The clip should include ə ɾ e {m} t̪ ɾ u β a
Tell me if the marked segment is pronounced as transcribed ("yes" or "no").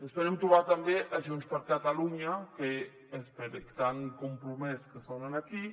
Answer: yes